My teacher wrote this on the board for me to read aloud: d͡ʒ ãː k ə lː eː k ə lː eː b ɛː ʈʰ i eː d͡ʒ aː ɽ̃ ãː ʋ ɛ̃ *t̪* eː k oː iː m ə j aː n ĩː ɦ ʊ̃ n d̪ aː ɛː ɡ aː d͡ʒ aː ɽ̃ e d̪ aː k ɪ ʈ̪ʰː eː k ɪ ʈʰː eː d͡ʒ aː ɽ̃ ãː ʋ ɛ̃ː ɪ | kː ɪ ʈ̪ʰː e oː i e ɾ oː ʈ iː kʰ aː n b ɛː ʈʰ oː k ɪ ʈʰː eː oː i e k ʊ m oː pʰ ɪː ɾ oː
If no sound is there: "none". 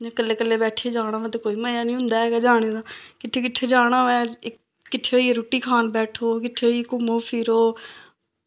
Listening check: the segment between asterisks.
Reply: t̪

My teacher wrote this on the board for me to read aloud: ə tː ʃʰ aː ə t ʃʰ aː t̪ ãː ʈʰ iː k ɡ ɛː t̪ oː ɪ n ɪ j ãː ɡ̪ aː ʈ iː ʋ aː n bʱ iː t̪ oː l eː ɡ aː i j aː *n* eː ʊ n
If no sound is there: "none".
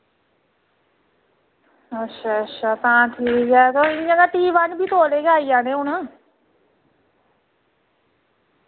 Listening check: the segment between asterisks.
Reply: n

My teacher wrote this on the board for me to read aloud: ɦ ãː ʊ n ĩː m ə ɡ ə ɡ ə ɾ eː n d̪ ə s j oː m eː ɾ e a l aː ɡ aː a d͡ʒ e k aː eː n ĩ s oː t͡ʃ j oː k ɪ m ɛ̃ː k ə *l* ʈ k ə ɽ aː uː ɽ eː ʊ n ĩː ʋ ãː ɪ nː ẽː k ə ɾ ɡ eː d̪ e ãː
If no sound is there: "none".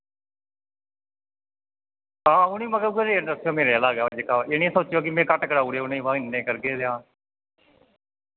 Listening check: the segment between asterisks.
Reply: none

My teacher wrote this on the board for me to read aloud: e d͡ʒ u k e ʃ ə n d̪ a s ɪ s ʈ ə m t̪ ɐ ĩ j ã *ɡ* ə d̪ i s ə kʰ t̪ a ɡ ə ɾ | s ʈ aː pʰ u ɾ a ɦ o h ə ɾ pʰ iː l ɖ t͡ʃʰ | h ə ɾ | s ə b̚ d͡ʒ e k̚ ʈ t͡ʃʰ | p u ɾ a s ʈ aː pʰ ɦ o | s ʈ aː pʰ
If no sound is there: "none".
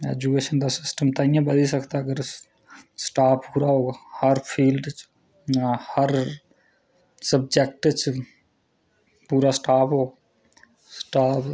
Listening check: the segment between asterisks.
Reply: b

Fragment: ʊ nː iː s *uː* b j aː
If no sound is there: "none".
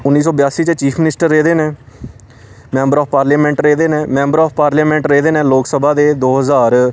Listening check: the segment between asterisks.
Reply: ɔː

